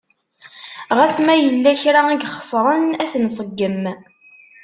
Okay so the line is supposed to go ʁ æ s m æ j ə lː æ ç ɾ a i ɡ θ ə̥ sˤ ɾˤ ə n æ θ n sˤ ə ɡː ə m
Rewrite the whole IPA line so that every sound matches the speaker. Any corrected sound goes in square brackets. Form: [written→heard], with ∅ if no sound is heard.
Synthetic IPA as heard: ʁ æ s m æ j ə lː æ ç ɾ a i ɡ [θ→χ] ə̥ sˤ ɾˤ ə n æ θ n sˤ ə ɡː ə m